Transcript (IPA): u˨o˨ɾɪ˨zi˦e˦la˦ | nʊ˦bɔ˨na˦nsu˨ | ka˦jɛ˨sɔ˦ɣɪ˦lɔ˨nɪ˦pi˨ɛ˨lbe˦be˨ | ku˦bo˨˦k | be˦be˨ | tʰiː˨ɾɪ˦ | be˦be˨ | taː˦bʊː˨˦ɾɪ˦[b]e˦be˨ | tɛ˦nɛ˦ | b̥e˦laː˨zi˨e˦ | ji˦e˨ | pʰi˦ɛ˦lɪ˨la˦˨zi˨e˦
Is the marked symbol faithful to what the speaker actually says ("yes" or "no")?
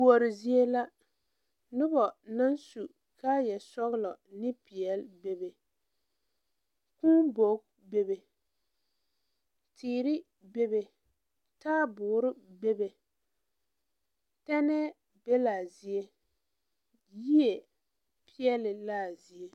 yes